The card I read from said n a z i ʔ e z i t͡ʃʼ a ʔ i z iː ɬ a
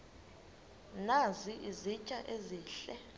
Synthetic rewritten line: n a z i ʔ i z i t͡ʃʼ a ʔ e z iː ɬ ɛ